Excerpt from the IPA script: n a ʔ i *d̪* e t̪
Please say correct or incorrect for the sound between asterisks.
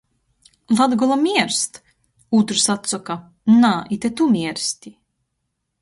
incorrect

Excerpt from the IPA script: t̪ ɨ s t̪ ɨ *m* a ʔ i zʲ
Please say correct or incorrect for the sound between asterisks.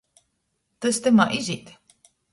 correct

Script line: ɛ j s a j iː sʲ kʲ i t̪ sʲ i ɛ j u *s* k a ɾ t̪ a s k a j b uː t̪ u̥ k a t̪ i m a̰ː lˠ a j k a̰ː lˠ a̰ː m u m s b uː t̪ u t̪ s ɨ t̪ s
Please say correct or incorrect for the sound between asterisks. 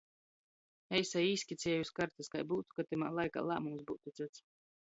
correct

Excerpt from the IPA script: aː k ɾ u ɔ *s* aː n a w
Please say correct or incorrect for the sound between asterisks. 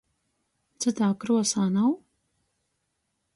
correct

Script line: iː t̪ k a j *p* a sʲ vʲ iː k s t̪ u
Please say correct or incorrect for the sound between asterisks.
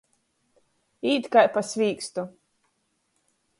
correct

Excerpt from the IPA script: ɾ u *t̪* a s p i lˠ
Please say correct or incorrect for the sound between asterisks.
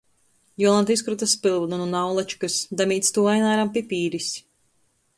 correct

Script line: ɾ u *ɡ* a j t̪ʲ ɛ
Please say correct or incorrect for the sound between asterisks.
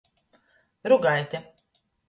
correct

